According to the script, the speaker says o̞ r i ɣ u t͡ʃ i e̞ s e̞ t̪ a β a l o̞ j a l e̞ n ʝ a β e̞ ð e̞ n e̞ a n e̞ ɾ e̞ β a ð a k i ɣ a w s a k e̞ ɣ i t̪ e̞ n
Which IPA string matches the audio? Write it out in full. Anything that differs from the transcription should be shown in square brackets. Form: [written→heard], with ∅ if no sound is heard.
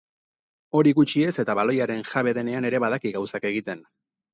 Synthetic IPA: o̞ [r→ɾ] i ɣ u t͡ʃ i e̞ s e̞ t̪ a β a l o̞ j a [l→ɾ] e̞ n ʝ a β e̞ ð e̞ n e̞ a n e̞ ɾ e̞ β a ð a k i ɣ a w s a k e̞ ɣ i t̪ e̞ n

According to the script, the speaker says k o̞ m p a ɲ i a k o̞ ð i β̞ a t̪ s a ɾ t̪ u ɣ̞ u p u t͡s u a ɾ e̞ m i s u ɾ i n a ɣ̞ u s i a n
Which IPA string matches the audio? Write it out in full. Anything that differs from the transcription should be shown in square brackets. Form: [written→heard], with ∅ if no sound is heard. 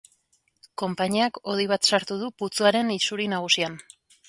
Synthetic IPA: k o̞ m p a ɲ i a k o̞ ð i β̞ a t̪ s a ɾ t̪ u [ɣ̞→ð̞] u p u t͡s u a ɾ e̞ [m→n] i s u ɾ i n a ɣ̞ u s i a n

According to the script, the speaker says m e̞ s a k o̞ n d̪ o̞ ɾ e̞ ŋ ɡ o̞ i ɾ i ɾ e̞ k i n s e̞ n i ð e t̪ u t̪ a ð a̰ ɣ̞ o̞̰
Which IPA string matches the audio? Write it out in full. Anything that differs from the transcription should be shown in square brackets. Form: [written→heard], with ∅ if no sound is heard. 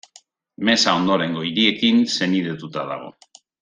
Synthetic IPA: m e̞ s a [k→∅] o̞ n d̪ o̞ ɾ e̞ ŋ ɡ o̞ i ɾ i [ɾ→∅] e̞ k i n s e̞ n i ð e t̪ u t̪ a ð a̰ ɣ̞ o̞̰

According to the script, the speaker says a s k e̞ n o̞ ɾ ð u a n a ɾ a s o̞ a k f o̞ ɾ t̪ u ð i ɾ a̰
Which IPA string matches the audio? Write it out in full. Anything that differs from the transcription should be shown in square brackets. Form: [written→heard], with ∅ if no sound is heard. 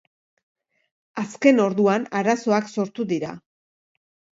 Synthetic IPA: a s k e̞ n o̞ ɾ ð u a n a ɾ a s o̞ a k [f→s] o̞ ɾ t̪ u ð i ɾ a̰

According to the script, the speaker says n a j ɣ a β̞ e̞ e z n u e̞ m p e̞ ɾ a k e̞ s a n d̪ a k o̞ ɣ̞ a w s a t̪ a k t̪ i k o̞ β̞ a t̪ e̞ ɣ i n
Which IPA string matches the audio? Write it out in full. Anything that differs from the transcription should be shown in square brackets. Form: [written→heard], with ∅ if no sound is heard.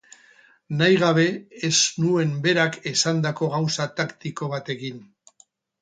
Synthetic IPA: n a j ɣ a β̞ e̞ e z n u e̞ m [p→b] e̞ ɾ a k e̞ s a n d̪ a k o̞ ɣ̞ a w s a t̪ a k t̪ i k o̞ β̞ a t̪ e̞ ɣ i n

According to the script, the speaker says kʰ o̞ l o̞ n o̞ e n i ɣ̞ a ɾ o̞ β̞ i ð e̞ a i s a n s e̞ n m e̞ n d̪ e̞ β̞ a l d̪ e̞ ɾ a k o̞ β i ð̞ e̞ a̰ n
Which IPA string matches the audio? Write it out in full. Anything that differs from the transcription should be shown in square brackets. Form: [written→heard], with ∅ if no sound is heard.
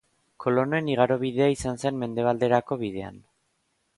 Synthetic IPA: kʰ o̞ l o̞ n o̞ e n i ɣ̞ a ɾ o̞ β̞ i ð e̞ a i s a n s e̞ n m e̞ n d̪ e̞ β̞ a l d̪ e̞ ɾ a k o̞ β i ð̞ e̞ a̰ n

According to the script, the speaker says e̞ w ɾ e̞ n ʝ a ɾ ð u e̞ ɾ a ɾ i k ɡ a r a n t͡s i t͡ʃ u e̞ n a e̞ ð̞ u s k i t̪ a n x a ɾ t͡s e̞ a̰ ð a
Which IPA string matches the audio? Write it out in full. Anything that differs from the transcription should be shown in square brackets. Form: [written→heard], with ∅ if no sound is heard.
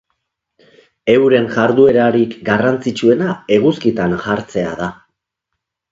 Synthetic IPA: e̞ w ɾ e̞ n ʝ a ɾ ð u e̞ ɾ a ɾ i k ɡ a r a n t͡s i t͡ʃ u e̞ n a e̞ [ð̞→ɣ̞] u s k i t̪ a n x a ɾ t͡s e̞ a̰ ð a

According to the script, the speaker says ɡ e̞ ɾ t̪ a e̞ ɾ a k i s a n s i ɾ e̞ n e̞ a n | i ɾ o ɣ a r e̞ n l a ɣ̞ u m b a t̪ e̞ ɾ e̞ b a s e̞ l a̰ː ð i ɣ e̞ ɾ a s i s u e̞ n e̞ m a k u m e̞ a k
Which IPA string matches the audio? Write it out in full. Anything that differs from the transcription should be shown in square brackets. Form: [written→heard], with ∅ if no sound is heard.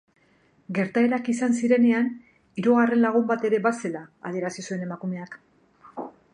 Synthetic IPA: ɡ e̞ ɾ t̪ a e̞ ɾ a k i s a n s i ɾ e̞ n e̞ a n | i ɾ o ɣ a r e̞ n l a ɣ̞ u m b a t̪ e̞ ɾ e̞ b a s e̞ l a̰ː ð i [ɣ→∅] e̞ ɾ a s i s u e̞ n e̞ m a k u m e̞ a k

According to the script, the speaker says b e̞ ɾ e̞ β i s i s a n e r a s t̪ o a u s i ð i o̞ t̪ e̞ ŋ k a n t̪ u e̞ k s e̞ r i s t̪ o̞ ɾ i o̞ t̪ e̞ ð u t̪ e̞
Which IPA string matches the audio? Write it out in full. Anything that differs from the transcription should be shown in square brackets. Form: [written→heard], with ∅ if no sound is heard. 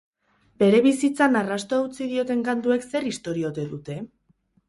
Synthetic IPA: b e̞ ɾ e̞ β i s i [s→t͡s] a n [e→a] r a s t̪ o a u [s→t͡s] i ð i o̞ t̪ e̞ ŋ k a n t̪ u e̞ k s e̞ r i s t̪ o̞ ɾ i o̞ t̪ e̞ ð u t̪ e̞

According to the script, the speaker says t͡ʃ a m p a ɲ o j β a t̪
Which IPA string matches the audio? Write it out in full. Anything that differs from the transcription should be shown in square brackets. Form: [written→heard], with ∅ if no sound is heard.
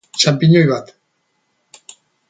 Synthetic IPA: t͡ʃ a m p [a→i] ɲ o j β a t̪

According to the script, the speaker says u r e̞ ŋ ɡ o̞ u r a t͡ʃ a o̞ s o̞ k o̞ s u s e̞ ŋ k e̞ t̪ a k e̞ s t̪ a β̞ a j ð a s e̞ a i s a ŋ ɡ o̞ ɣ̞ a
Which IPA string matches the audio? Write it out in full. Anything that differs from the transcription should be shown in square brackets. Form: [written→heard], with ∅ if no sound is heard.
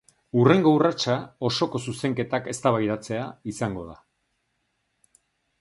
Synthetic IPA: u r e̞ ŋ ɡ o̞ u r a t͡ʃ a o̞ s o̞ k o̞ s u s e̞ ŋ k e̞ t̪ a k e̞ s t̪ a β̞ a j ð a [s→t͡s] e̞ a i s a ŋ ɡ o̞ [ɣ̞→ð̞] a

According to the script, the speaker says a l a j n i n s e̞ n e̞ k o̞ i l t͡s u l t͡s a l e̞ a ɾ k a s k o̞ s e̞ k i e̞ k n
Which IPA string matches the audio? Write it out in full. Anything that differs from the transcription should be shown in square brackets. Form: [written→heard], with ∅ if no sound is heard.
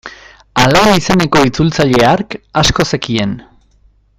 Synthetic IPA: a l a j n i [n→∅] s e̞ n e̞ k o̞ i [l→∅] t͡s u l t͡s a [l→ʎ] e̞ a ɾ k a s k o̞ s e̞ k i e̞ [k→∅] n

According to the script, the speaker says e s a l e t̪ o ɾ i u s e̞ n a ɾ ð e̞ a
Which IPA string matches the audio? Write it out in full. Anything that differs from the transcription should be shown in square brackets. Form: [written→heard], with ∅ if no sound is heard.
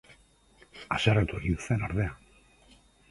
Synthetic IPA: [e→a] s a [l→r] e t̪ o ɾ i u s e̞ n a ɾ ð e̞ a

